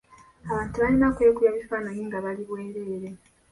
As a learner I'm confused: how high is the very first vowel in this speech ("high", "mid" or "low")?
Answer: low